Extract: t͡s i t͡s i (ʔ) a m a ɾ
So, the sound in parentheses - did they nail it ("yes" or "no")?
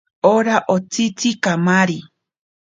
no